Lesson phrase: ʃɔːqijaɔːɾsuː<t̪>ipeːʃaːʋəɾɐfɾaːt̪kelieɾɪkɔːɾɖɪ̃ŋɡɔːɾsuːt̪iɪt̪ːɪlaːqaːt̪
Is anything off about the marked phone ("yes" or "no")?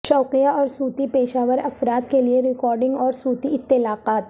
no